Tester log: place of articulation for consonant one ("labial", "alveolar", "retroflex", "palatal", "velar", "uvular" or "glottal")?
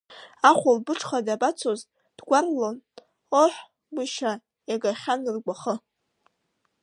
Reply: uvular